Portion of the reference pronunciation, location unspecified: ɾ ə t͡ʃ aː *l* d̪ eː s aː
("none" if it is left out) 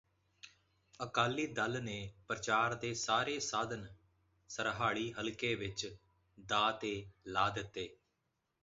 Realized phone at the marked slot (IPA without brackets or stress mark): ɾ